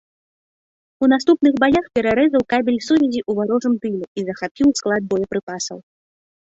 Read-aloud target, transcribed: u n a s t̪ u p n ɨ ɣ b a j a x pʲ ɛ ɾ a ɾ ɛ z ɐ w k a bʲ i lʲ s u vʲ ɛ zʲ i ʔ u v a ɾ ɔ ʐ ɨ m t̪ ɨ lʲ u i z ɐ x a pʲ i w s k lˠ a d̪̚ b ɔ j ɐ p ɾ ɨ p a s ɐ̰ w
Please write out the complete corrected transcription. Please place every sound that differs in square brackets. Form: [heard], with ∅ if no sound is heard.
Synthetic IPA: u n a s t̪ u p n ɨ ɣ b a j a x pʲ ɛ ɾ a ɾ ɛ z ɐ w k a bʲ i lʲ s u vʲ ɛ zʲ i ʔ u v a ɾ ɔ ʐ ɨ m t̪ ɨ lʲ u i z ɐ x a pʲ i w s k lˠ a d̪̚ b ɔ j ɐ p ɾ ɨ p a s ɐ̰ w

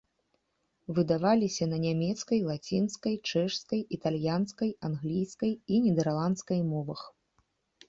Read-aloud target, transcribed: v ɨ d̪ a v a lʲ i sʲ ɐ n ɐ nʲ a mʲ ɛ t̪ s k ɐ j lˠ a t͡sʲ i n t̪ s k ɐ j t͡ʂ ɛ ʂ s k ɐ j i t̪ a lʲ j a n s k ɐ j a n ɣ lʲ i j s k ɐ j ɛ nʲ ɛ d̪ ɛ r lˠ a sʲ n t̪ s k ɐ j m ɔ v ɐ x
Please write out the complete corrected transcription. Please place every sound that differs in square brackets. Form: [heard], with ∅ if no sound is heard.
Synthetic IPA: v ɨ d̪ a v a lʲ i sʲ ɐ n ɐ nʲ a mʲ ɛ t̪ s k ɐ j lˠ a t͡sʲ i n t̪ s k ɐ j t͡ʂ ɛ ʂ s k ɐ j i t̪ a lʲ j a n s k ɐ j a n ɣ lʲ i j s k ɐ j [i] nʲ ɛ d̪ ɛ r lˠ a [∅] n t̪ s k ɐ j m ɔ v ɐ x

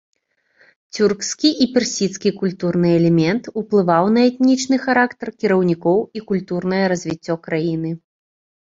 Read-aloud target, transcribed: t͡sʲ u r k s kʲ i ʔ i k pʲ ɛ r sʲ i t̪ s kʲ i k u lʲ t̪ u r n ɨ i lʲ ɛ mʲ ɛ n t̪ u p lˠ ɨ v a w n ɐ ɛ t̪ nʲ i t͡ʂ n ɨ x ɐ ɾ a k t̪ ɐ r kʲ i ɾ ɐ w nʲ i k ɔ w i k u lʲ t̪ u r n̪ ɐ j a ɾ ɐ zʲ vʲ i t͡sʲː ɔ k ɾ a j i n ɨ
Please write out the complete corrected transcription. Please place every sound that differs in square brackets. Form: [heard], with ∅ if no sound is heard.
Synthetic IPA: t͡sʲ u r k s kʲ i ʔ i [∅] pʲ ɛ r sʲ i t̪ s kʲ i k u lʲ t̪ u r n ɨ [ɛ] lʲ ɛ mʲ ɛ n t̪ u p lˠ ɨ v a w n ɐ ɛ t̪ nʲ i t͡ʂ n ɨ x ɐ ɾ a k t̪ ɐ r kʲ i ɾ ɐ w nʲ i k ɔ w i k u lʲ t̪ u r n̪ ɐ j [ɐ] ɾ ɐ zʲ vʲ i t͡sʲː ɔ k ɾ a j i n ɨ

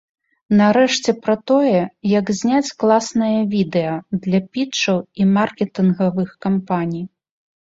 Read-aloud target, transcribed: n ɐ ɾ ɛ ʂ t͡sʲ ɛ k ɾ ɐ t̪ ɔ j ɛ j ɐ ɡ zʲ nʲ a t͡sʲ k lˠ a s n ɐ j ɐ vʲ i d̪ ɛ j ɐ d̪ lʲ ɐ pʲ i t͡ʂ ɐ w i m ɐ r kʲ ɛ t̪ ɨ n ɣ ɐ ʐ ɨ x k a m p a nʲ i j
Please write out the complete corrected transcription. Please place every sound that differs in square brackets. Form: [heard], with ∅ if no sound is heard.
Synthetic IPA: n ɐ ɾ ɛ ʂ t͡sʲ ɛ [p] ɾ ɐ t̪ ɔ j ɛ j ɐ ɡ zʲ nʲ a t͡sʲ k lˠ a s n ɐ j ɐ vʲ i d̪ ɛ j ɐ d̪ lʲ ɐ pʲ i t͡ʂ ɐ w i m [a] r kʲ ɛ t̪ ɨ n ɣ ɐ [v] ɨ x k a m p a nʲ i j

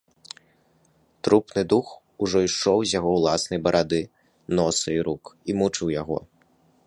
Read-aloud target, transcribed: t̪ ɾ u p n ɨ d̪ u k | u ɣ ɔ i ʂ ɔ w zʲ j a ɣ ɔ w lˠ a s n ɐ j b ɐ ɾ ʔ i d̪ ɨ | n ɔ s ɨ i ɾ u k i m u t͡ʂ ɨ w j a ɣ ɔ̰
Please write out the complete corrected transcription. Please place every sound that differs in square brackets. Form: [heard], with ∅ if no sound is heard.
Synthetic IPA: t̪ ɾ u p n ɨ d̪ u [x] | u [ʐ] ɔ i ʂ ɔ w zʲ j a ɣ ɔ w lˠ a s n ɐ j b ɐ ɾ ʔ [a] d̪ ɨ | n ɔ s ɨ i ɾ u k i m u t͡ʂ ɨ w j a ɣ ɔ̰

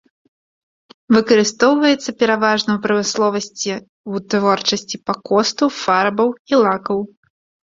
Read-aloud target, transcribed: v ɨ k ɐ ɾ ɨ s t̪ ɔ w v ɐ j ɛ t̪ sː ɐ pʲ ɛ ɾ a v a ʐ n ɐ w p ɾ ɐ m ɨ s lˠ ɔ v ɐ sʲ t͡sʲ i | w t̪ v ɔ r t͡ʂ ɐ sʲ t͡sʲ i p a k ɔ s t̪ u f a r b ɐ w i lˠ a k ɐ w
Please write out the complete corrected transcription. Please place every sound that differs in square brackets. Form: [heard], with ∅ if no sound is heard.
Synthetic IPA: v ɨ k ɐ ɾ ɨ s t̪ ɔ w v ɐ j ɛ t̪ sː ɐ pʲ ɛ ɾ a v a ʐ n ɐ w p ɾ ɐ m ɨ s lˠ ɔ v ɐ sʲ t͡sʲ i | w t̪ v ɔ r t͡ʂ ɐ sʲ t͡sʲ i p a k ɔ s t̪ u f a r b ɐ w i lˠ a k ɐ w

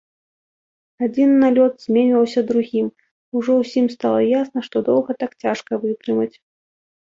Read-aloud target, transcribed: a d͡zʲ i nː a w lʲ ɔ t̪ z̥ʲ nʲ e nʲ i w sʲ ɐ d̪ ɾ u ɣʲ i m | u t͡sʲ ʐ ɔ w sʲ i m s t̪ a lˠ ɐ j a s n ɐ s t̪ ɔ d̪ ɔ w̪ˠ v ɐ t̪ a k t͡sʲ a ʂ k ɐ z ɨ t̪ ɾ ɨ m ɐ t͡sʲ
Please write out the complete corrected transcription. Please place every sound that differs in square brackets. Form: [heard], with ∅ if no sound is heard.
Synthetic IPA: a d͡zʲ i nː a [∅] lʲ ɔ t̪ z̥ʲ [mʲ] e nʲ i w sʲ ɐ d̪ ɾ u ɣʲ i m | u [∅] ʐ ɔ w sʲ i m s t̪ a lˠ ɐ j a s n ɐ [ʂ] t̪ ɔ d̪ ɔ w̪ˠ [ɣ] ɐ t̪ a k t͡sʲ a ʂ k ɐ [v] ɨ t̪ ɾ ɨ m ɐ t͡sʲ

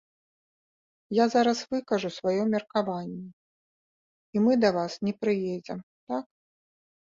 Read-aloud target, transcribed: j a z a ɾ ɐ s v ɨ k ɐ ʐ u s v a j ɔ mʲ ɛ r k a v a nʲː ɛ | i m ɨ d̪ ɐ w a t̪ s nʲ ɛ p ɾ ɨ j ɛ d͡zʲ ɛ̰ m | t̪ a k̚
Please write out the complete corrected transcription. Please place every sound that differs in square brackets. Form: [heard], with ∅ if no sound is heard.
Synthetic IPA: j a z a ɾ ɐ s v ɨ k ɐ ʐ u s v a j ɔ mʲ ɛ r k a v a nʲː ɛ | i m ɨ d̪ ɐ [v] a [∅] s nʲ ɛ p ɾ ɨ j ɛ d͡zʲ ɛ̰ m | t̪ a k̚

